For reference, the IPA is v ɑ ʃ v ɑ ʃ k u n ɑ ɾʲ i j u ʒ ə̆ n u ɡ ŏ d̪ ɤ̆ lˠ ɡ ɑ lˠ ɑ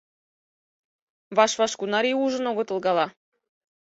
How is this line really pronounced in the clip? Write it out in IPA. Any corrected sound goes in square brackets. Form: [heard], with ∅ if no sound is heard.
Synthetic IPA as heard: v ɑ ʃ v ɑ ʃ k u n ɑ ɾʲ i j u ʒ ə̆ n [o] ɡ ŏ [t̪] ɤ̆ lˠ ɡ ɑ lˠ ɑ

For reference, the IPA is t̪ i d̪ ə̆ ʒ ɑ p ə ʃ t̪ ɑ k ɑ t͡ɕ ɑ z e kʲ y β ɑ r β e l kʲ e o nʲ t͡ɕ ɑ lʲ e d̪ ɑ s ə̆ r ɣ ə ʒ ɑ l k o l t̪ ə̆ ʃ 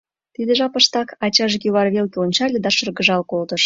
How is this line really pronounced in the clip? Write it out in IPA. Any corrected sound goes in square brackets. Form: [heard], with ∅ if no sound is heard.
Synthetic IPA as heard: t̪ i d̪ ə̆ ʒ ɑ p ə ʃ t̪ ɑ k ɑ t͡ɕ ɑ [ʒ] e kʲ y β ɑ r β e l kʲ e o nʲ t͡ɕ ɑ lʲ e d̪ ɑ [ʃ] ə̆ r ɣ ə ʒ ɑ l k o l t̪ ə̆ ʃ

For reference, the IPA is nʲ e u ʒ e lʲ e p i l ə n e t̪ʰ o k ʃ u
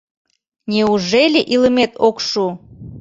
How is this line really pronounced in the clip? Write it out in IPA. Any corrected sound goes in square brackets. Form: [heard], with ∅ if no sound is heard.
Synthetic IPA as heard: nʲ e u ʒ e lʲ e [ʔ] i l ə [m] e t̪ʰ o k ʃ u

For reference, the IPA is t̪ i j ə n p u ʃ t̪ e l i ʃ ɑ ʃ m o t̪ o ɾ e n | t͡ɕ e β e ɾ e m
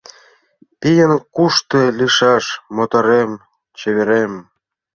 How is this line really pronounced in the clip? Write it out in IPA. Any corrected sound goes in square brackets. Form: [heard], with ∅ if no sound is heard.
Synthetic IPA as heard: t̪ i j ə n [k] u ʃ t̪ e l i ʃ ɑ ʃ m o t̪ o ɾ e [m] | t͡ɕ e β e ɾ e m

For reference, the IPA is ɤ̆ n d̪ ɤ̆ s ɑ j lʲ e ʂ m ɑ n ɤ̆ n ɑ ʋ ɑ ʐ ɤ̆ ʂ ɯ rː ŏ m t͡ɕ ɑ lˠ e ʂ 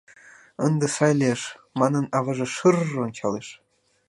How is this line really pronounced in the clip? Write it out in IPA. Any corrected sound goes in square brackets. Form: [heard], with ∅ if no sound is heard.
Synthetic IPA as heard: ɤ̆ n d̪ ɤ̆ s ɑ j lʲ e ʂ m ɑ n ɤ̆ n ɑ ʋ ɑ ʐ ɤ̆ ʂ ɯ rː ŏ [n] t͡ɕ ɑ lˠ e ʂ

